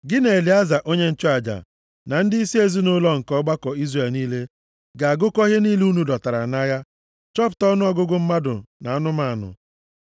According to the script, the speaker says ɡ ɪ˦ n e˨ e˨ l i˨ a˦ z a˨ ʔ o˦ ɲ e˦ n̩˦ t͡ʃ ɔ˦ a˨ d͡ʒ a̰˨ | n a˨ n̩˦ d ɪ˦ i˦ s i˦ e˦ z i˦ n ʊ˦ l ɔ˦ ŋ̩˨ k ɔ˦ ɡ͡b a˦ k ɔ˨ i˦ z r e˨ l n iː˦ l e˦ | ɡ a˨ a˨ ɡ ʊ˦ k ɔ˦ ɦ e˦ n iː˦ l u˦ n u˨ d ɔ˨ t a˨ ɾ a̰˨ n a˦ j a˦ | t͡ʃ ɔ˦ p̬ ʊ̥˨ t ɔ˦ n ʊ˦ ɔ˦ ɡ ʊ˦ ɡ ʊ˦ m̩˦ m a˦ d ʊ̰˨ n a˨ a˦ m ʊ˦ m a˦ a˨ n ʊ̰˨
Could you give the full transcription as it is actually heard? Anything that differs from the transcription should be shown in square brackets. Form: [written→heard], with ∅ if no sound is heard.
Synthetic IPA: ɡ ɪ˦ n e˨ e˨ l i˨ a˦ z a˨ ʔ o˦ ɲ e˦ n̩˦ t͡ʃ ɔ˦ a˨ d͡ʒ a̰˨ | n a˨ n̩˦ d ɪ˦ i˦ s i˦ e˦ z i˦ n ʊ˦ l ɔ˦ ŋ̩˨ k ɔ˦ ɡ͡b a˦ k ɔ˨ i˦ z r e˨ l n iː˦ l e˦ | ɡ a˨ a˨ ɡ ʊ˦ k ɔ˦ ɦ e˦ n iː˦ l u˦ n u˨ d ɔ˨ t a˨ ɾ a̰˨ n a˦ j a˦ | t͡ʃ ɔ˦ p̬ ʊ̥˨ t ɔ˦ n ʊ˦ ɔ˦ ɡ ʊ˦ ɡ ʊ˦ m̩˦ m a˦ d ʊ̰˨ n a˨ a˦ [m→n] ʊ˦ m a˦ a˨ n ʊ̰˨